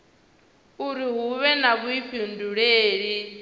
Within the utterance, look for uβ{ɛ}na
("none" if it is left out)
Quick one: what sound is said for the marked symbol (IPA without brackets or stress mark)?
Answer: ɛ